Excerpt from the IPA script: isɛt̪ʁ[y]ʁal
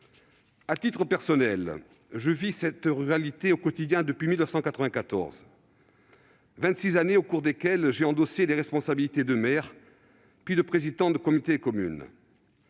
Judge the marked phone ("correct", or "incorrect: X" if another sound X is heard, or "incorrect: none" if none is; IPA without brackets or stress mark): correct